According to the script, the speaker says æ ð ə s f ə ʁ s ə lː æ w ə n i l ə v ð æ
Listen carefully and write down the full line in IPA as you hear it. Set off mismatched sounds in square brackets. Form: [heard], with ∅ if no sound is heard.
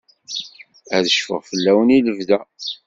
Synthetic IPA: æ ð ə [ʃ] f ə ʁ [f] ə lː æ w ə n i l ə v ð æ